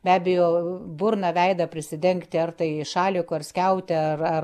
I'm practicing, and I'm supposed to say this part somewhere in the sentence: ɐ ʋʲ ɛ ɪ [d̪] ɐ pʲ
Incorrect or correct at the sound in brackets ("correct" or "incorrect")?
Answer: correct